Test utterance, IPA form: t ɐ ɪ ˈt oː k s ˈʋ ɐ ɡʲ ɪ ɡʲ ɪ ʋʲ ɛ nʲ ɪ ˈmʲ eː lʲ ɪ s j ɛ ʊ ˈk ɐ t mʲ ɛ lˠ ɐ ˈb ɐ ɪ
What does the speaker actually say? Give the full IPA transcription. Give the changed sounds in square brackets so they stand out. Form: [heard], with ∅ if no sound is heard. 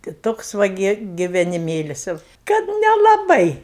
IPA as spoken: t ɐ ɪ ˈt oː k s ˈʋ ɐ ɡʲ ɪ ɡʲ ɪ ʋʲ ɛ nʲ ɪ ˈmʲ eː lʲ ɪ s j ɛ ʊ ˈk ɐ t [nʲ] ɛ lˠ ɐ ˈb ɐ ɪ